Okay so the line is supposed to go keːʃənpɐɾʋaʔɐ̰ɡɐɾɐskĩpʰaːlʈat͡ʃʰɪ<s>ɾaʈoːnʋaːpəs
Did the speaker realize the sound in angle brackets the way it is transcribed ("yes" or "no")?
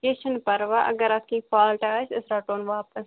yes